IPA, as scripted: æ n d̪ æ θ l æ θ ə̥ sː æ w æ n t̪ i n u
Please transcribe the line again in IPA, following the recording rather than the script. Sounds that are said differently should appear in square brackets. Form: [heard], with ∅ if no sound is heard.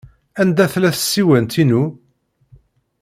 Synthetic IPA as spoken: æ n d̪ æ θ l æ θ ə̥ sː [i] w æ n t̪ i n u